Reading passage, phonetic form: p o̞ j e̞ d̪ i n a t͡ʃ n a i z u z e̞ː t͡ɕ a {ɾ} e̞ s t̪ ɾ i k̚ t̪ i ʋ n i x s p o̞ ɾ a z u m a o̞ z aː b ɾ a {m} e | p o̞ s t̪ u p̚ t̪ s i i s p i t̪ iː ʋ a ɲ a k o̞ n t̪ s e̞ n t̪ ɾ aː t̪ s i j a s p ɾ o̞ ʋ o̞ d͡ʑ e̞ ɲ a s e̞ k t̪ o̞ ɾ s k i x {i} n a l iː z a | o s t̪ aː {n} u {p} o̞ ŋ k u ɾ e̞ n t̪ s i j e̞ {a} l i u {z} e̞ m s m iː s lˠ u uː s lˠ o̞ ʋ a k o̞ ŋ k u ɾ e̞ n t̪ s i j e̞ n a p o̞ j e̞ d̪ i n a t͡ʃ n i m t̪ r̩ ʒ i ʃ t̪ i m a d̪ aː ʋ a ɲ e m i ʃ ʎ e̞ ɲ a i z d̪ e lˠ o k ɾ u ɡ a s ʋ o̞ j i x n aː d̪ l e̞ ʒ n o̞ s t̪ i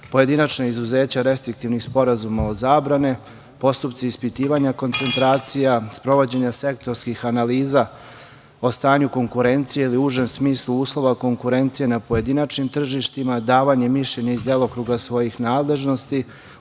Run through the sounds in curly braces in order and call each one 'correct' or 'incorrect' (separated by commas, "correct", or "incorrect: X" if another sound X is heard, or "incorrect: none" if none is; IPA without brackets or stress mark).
correct, incorrect: n, incorrect: a, incorrect: ɲ, incorrect: k, incorrect: i, incorrect: ʒ